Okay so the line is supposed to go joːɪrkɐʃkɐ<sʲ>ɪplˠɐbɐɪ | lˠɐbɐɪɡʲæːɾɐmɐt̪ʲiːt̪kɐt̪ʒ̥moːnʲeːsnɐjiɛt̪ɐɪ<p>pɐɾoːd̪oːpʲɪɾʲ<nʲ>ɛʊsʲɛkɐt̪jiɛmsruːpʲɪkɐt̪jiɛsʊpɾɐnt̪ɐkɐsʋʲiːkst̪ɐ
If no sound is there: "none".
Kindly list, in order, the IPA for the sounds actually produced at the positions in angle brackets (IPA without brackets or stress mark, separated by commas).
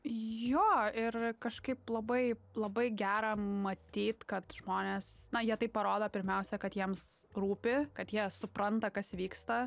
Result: none, p, mʲ